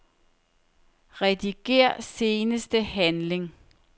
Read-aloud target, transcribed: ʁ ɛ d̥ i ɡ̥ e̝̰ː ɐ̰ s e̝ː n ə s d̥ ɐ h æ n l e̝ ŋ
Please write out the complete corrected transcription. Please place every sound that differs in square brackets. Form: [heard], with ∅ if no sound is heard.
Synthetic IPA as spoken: ʁ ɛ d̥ i ɡ̥ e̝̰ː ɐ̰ s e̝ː n ə s d̥ [ə] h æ n l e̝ ŋ

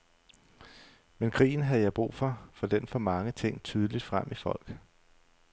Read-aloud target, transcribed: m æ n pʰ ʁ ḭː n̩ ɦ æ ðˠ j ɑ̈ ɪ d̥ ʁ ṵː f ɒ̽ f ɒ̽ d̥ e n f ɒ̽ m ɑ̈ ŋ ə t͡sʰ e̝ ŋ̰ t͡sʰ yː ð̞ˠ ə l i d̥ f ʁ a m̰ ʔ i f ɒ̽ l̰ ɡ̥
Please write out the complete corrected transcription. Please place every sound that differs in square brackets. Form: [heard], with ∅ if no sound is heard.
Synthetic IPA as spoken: m [e] n [kʰ] ʁ ḭː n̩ ɦ æ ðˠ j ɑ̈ ɪ [b̥] ʁ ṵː f ɒ̽ f ɒ̽ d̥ e n f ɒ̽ m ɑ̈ ŋ ə t͡sʰ e̝ ŋ̰ t͡sʰ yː ð̞ˠ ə l i d̥ f ʁ a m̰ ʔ i f ɒ̽ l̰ ɡ̥

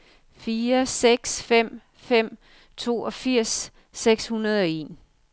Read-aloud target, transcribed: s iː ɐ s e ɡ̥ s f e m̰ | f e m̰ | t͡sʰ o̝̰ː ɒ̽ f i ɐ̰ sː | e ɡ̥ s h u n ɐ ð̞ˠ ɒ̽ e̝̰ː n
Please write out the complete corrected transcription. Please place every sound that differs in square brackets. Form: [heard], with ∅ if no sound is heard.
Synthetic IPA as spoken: [f] iː ɐ s e ɡ̥ s f e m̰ | f e m̰ | t͡sʰ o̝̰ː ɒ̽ f i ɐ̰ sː | e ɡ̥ s h u n ɐ ð̞ˠ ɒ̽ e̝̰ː n

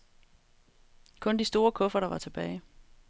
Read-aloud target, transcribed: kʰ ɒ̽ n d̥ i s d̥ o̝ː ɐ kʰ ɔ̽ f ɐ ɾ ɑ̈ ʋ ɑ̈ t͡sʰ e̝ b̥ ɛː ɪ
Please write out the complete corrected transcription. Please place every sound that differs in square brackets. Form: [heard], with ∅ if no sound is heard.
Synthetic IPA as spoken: kʰ [ɔ̽] n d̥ i s d̥ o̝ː ɐ kʰ ɔ̽ f ɐ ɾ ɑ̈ ʋ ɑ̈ t͡sʰ e̝ b̥ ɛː ɪ

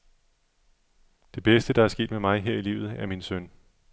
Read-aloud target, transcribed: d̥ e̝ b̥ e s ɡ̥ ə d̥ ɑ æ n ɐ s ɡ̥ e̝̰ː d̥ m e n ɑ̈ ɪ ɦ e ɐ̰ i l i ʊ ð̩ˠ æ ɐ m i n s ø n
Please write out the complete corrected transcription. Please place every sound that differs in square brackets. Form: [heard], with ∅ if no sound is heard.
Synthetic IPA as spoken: d̥ e̝ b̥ e s [d̥] ə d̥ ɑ æ [∅] ɐ s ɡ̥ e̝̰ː d̥ m e [m] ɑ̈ ɪ ɦ e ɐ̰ i l i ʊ ð̩ˠ æ ɐ m i n s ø n

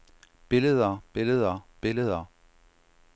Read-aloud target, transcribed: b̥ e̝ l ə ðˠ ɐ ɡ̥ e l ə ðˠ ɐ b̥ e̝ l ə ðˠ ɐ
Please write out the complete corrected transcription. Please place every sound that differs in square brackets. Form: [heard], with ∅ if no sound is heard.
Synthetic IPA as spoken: b̥ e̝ l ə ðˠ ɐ [b̥] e l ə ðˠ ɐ b̥ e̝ l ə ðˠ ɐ

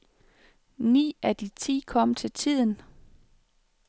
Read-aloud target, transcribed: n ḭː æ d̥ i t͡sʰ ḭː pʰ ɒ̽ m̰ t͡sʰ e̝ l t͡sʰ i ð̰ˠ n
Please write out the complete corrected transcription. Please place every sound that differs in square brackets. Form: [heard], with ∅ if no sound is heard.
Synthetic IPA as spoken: n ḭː æ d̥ i t͡sʰ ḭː [kʰ] ɒ̽ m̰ t͡sʰ e̝ l t͡sʰ i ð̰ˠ n

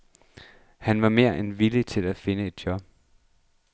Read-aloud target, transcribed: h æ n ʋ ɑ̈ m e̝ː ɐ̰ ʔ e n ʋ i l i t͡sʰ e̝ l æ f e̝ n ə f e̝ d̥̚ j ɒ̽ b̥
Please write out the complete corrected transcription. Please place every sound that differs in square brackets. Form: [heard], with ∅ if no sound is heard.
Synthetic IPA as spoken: h æ n ʋ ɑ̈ m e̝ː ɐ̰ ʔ e n ʋ i l i t͡sʰ e̝ l æ f e̝ n ə [∅] e̝ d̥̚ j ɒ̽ b̥

